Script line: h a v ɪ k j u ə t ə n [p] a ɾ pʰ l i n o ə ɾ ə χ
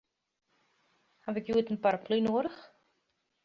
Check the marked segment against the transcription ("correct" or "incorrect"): correct